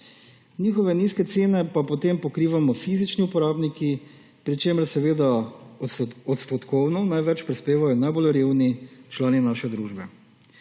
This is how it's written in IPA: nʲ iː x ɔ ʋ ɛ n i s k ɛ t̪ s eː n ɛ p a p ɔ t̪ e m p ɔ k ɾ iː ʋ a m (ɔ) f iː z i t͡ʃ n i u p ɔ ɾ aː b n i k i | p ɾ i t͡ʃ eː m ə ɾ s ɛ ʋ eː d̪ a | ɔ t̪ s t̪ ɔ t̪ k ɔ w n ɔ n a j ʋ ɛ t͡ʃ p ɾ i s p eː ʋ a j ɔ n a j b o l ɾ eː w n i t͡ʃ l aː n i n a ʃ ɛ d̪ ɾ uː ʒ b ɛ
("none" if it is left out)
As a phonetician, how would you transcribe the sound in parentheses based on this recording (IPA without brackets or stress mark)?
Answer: ɔ